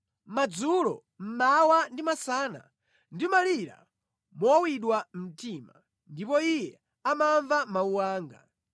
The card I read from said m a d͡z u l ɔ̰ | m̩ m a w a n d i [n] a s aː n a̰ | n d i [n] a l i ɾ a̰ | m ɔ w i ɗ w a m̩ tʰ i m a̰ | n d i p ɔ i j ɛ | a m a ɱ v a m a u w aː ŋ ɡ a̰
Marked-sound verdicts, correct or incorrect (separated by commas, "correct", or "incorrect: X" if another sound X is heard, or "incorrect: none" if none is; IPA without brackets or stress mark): incorrect: m, incorrect: m